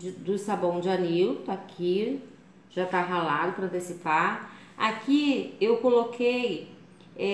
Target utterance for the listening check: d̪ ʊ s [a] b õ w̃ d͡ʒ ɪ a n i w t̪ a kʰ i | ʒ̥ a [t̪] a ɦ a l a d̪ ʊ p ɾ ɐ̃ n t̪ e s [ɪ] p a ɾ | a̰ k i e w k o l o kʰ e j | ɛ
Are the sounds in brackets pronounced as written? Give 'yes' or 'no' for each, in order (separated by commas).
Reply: yes, yes, no